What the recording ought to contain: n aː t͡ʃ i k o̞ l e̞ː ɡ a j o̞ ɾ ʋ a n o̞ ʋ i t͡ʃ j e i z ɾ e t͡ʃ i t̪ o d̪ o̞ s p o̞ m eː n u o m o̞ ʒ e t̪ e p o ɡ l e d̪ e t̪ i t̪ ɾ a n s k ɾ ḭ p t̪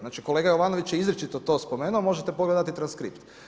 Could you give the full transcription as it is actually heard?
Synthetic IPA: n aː t͡ʃ i k o̞ l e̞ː ɡ a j o̞ ʋ a n o̞ ʋ i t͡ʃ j e i z ɾ e t͡ʃ i t̪ o t̪ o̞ s p o̞ m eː n u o m o̞ ʒ e t̪ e p o ɡ l e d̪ a t̪ i t̪ ɾ a n s k ɾ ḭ p t̪